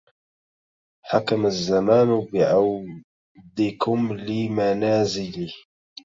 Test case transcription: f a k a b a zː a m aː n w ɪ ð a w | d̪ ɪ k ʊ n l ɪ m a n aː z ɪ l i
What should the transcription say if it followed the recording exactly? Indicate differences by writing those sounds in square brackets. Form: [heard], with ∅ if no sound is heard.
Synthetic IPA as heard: [ħ] a k a [m] a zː a m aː n [b] ɪ [ʕ] a w | d̪ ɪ k ʊ [m] l ɪ m a n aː z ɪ l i